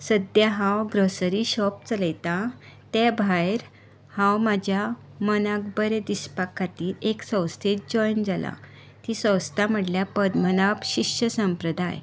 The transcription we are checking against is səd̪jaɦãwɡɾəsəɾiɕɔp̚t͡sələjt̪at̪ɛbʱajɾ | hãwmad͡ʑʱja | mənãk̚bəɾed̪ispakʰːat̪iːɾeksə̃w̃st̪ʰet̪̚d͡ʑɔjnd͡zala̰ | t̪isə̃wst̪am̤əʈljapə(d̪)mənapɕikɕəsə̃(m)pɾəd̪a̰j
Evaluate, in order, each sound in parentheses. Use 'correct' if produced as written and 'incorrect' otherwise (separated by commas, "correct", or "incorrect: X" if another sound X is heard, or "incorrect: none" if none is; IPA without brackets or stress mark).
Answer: correct, correct